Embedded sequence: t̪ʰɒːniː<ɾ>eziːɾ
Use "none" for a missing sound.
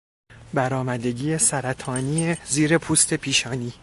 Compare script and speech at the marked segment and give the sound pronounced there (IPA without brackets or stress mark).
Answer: none